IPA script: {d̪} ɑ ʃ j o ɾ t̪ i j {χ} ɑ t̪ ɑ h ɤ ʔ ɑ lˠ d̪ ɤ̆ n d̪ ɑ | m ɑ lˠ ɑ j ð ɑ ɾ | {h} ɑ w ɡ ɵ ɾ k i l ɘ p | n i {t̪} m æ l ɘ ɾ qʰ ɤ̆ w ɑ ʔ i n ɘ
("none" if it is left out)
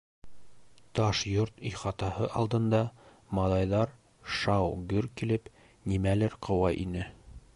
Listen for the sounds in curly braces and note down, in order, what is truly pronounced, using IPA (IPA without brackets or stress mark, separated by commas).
t̪, χ, ʃ, none